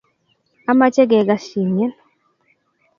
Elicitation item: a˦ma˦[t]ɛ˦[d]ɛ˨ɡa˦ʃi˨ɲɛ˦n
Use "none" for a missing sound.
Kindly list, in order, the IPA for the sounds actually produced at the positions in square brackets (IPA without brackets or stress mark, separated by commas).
t͡ʃ, ɡ